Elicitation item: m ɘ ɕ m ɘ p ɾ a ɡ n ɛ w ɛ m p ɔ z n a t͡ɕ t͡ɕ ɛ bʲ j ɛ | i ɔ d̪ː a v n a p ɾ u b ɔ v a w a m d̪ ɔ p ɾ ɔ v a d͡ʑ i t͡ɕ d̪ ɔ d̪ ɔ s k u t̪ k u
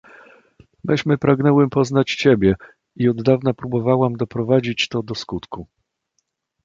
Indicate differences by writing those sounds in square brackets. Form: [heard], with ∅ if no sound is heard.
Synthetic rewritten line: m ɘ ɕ m ɘ p ɾ a ɡ n ɛ w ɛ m p ɔ z n a t͡ɕ t͡ɕ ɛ bʲ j ɛ | i ɔ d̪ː a v n a p ɾ u b ɔ v a w a m d̪ ɔ p ɾ ɔ v a d͡ʑ i t͡ɕ [t̪] ɔ d̪ ɔ s k u t̪ k u